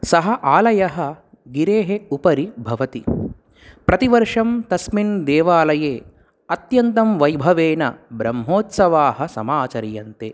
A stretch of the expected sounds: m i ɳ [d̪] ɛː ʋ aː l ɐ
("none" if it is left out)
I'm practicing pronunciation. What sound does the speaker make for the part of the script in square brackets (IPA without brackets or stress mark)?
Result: d̪